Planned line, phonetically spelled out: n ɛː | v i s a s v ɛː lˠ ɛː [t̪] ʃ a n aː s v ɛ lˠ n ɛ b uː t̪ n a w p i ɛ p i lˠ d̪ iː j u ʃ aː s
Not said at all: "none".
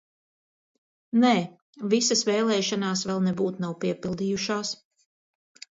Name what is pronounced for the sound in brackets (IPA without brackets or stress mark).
none